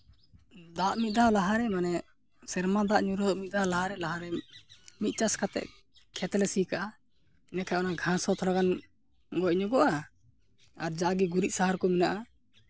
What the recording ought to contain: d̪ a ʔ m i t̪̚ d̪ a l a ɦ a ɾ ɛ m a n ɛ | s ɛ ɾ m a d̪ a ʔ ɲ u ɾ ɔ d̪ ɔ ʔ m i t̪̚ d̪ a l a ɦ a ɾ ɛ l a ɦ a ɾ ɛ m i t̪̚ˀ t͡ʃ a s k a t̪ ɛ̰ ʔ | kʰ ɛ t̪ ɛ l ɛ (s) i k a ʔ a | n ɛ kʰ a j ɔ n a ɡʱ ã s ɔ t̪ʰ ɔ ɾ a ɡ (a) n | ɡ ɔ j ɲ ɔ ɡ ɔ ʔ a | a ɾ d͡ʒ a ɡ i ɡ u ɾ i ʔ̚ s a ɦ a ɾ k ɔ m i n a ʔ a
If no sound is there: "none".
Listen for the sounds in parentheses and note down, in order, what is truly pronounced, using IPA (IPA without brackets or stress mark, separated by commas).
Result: s, a